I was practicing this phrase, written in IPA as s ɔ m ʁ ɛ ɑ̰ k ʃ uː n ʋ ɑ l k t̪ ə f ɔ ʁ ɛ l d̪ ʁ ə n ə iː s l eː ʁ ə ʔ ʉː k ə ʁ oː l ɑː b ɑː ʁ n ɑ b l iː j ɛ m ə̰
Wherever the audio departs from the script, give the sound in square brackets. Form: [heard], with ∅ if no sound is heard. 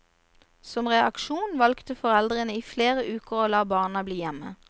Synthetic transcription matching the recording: s ɔ m ʁ ɛ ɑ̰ k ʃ uː n ʋ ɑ l k t̪ ə f ɔ ʁ ɛ l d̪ ʁ ə n ə iː [f] l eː ʁ ə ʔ ʉː k ə ʁ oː l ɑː b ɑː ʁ n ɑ b l iː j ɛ m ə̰